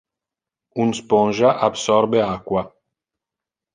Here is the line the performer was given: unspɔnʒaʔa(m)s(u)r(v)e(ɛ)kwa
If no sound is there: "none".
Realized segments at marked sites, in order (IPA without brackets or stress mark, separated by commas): b, ɔ, b, a